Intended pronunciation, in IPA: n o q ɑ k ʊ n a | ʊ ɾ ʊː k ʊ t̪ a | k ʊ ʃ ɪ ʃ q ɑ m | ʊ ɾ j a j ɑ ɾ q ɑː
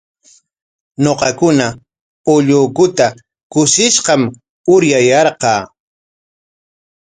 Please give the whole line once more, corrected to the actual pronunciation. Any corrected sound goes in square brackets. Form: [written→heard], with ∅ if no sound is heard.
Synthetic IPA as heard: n o q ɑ k ʊ n a | ʊ [ɾ→ʎ] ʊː k ʊ t̪ a | k ʊ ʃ ɪ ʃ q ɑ m | ʊ ɾ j a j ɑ ɾ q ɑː